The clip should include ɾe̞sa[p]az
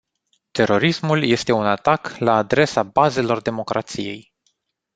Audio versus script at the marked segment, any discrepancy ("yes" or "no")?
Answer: yes